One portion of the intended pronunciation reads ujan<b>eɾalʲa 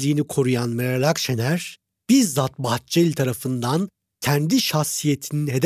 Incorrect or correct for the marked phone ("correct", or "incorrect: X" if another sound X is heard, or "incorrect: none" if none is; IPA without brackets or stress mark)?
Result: incorrect: m